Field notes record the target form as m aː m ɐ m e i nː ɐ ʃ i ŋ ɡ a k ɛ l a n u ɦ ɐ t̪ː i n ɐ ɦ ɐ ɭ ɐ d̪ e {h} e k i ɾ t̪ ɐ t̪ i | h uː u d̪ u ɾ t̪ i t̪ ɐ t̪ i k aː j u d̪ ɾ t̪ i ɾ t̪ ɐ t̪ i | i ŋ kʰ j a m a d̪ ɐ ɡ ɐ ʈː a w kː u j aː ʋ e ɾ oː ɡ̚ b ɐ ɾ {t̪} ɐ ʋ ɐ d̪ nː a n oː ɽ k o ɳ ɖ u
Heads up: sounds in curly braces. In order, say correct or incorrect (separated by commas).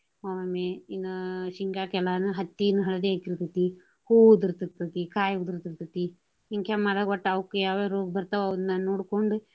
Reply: incorrect, correct